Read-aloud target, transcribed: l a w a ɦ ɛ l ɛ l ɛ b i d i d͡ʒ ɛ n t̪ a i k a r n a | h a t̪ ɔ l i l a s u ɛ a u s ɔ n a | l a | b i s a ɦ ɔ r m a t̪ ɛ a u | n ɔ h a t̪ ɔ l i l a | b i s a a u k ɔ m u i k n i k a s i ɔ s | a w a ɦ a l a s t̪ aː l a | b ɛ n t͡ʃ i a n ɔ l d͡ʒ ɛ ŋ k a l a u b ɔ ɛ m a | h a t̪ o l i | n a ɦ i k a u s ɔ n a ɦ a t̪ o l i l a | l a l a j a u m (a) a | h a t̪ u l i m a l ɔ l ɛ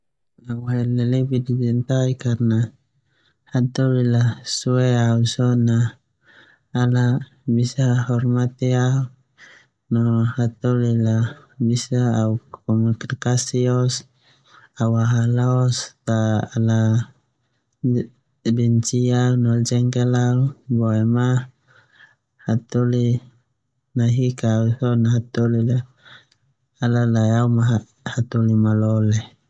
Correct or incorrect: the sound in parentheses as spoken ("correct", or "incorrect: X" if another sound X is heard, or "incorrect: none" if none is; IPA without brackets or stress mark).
correct